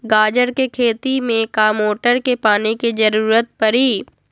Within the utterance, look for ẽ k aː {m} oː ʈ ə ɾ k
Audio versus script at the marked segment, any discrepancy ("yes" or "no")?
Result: no